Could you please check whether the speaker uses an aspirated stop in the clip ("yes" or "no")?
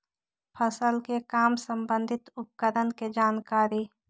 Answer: yes